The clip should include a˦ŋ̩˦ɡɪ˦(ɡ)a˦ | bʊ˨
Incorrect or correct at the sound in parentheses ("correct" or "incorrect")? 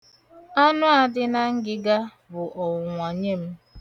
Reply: correct